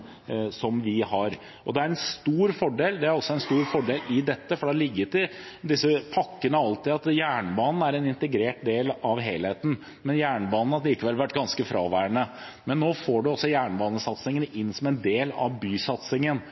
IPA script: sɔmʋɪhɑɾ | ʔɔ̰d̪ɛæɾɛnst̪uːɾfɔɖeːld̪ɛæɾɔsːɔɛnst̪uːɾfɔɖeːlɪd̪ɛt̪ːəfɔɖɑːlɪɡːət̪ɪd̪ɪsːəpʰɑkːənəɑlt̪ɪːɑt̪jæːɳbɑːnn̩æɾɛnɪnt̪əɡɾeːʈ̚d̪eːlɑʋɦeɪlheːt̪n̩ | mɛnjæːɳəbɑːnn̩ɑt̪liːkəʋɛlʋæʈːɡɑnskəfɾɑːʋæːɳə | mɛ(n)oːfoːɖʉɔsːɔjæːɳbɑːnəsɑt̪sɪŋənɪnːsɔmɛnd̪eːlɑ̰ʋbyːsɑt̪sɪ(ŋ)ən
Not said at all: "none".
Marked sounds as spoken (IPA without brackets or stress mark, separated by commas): nː, ŋ